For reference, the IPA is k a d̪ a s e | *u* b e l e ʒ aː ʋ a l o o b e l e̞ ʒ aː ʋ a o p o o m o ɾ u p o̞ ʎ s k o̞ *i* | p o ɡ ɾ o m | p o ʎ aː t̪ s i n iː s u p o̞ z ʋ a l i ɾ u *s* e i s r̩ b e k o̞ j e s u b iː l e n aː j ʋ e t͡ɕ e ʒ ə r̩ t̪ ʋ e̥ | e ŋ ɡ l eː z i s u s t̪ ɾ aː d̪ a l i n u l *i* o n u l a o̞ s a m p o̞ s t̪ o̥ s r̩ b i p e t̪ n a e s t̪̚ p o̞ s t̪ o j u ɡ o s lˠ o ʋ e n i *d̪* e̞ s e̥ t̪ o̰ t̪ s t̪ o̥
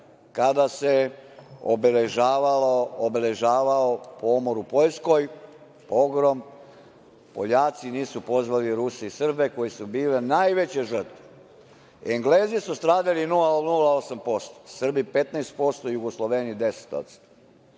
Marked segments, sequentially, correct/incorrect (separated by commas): incorrect, incorrect, correct, incorrect, correct